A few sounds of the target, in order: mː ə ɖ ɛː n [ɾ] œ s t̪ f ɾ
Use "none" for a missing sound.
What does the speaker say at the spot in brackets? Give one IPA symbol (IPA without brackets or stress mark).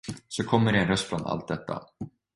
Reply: ɾ